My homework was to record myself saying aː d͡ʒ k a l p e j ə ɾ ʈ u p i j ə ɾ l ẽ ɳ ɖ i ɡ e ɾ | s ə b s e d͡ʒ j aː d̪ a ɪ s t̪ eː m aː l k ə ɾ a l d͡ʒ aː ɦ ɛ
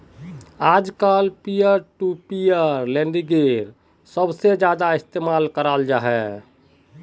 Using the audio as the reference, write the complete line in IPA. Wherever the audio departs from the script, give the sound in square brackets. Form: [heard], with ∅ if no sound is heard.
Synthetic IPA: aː d͡ʒ k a l p [i] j ə ɾ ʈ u p i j ə ɾ l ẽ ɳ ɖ i ɡ e ɾ | s ə b s e d͡ʒ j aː d̪ a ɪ s t̪ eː m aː l k ə ɾ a l d͡ʒ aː ɦ ɛ